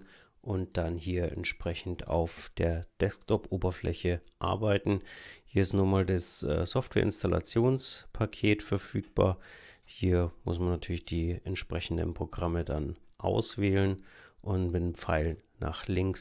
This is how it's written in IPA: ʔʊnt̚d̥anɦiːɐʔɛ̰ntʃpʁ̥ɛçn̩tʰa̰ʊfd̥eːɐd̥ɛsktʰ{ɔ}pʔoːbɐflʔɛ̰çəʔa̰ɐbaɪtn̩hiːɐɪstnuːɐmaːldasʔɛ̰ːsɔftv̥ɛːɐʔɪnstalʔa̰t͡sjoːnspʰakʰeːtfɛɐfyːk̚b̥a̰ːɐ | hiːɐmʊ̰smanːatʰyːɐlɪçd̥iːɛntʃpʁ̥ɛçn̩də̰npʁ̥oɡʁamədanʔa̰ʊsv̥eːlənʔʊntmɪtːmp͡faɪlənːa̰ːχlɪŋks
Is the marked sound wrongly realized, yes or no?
no